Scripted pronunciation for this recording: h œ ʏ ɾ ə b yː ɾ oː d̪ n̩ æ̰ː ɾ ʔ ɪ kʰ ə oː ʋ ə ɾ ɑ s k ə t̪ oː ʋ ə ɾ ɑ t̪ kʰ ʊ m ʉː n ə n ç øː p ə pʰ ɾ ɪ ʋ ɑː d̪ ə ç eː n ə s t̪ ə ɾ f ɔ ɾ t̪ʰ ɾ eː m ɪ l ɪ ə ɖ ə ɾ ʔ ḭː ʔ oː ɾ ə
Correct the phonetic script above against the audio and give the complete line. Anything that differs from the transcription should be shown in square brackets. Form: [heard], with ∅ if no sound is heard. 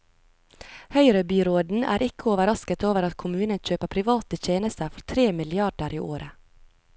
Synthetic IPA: h œ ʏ ɾ ə b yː ɾ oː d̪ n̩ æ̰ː ɾ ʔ ɪ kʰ ə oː ʋ ə ɾ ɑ s k ə t̪ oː ʋ ə ɾ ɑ t̪ kʰ ʊ m ʉː n ə n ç øː p ə pʰ ɾ ɪ ʋ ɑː [t̪] ə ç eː n ə s t̪ ə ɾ f ɔ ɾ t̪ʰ ɾ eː m ɪ l ɪ [ɑ] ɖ ə ɾ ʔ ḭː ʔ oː ɾ ə